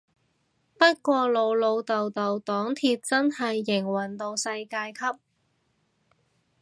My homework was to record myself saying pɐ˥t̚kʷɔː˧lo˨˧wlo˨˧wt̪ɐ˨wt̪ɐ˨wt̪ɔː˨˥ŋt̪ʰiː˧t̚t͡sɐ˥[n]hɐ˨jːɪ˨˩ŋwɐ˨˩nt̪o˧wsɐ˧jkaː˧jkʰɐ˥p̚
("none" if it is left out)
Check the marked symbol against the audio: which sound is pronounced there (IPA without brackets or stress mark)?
n